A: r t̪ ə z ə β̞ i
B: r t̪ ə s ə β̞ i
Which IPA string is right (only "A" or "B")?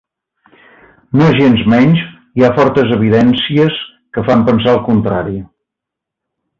A